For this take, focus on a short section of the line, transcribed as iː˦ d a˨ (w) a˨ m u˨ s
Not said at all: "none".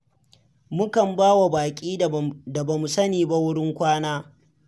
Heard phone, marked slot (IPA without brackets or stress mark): b